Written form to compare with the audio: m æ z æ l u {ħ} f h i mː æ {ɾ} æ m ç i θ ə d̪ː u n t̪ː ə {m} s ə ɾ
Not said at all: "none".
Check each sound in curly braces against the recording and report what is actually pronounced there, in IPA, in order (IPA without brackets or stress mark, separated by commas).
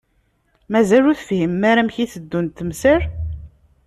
θ, ɾ, m